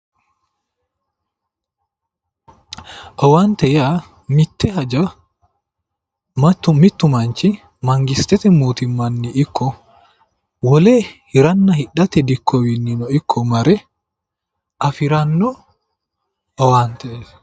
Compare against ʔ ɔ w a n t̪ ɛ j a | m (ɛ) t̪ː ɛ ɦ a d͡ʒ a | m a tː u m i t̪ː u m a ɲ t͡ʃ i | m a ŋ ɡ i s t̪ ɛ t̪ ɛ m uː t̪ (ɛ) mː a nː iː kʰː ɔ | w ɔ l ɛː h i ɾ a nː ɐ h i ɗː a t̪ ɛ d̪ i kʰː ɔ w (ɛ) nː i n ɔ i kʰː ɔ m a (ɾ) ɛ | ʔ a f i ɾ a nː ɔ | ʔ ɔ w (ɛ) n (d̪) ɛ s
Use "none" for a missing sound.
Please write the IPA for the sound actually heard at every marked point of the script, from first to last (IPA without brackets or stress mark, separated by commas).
i, i, i, ɾ, a, t̪